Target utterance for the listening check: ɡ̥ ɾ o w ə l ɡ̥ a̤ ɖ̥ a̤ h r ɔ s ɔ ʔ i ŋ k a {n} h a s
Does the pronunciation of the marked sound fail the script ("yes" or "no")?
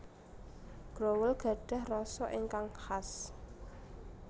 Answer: yes